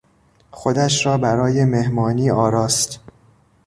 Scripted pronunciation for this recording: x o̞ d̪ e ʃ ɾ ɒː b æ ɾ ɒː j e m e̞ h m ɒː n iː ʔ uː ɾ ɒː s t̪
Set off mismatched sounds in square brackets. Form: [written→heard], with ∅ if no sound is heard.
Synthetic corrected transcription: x o̞ d̪ [e→æ] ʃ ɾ ɒː b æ ɾ ɒː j e m e̞ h m ɒː n iː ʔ [uː→ɒː] ɾ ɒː s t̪